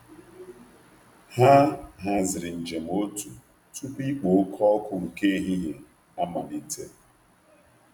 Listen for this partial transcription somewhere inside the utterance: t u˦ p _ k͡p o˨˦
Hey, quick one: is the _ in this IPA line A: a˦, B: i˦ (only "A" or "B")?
B